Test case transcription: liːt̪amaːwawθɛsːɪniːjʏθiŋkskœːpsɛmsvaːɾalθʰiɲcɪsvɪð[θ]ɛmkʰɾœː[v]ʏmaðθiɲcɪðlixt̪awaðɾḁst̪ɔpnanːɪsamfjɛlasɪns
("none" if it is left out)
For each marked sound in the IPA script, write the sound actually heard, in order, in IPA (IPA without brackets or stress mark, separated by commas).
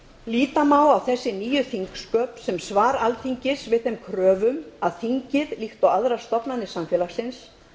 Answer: θ, v